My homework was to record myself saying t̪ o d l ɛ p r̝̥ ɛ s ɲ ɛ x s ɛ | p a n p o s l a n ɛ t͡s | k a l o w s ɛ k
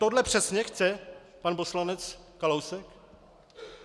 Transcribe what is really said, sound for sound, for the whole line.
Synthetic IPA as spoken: t̪ o d l ɛ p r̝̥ ɛ s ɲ ɛ x t͡s ɛ | p a n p o s l a n ɛ t͡s | k a l o w s ɛ k